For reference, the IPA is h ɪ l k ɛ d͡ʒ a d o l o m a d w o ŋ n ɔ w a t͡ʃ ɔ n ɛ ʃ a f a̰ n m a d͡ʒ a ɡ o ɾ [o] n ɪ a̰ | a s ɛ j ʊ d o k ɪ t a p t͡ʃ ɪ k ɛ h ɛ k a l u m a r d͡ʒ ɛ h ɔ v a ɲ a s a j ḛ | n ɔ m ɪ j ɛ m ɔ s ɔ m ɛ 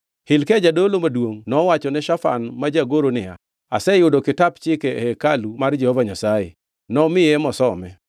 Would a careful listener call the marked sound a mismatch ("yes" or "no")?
no